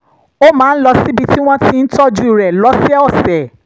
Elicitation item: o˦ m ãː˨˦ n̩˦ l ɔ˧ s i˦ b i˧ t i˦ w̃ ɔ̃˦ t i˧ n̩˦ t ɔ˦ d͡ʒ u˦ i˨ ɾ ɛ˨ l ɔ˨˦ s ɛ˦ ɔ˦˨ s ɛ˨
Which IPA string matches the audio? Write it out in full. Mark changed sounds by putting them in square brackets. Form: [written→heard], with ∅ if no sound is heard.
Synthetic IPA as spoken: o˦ m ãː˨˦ n̩˦ l ɔ˧ s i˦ b i˧ t i˦ w̃ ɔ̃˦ t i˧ n̩˦ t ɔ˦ d͡ʒ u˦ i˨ ɾ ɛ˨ l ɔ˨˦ s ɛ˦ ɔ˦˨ s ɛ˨